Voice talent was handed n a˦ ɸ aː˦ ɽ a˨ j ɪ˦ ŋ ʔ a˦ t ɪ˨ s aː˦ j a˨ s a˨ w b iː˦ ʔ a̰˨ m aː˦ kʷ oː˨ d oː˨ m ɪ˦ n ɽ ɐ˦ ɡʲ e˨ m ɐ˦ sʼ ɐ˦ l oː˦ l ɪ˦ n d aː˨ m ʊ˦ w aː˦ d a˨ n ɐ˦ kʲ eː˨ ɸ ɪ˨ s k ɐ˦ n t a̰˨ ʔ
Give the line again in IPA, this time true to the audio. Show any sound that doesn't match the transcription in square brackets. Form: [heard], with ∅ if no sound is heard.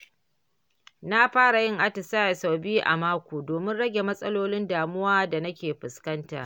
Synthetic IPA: n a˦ ɸ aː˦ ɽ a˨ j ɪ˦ ŋ ʔ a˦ t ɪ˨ s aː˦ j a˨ s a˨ w b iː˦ ʔ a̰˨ m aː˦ kʷ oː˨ d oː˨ m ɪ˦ n ɽ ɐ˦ ɡʲ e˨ m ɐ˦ sʼ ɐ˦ l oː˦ l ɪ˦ n d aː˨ m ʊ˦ w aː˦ d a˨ n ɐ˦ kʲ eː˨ ɸ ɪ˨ s k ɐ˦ n t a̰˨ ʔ